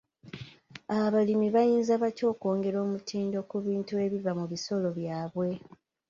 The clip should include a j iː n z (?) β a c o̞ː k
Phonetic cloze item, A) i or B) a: B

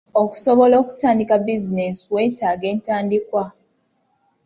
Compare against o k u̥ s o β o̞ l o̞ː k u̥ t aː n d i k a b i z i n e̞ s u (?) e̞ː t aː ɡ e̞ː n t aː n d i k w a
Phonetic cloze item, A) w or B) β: A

